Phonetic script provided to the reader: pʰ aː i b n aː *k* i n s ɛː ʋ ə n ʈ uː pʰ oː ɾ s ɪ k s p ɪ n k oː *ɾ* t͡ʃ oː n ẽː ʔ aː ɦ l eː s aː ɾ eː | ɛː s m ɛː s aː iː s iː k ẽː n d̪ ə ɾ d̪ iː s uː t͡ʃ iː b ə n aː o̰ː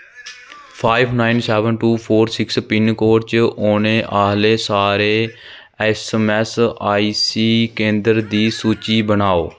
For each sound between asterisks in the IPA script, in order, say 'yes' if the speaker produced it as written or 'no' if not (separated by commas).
no, yes